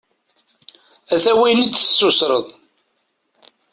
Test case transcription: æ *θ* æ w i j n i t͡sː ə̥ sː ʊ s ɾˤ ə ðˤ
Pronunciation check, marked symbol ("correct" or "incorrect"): correct